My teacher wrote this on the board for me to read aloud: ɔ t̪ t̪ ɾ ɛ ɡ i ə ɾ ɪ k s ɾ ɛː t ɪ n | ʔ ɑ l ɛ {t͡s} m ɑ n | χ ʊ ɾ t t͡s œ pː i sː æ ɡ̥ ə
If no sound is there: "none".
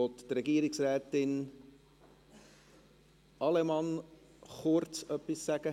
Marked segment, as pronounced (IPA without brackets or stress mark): none